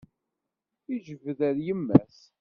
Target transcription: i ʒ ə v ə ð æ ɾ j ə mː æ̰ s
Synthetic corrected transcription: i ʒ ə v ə ð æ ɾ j ə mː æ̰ s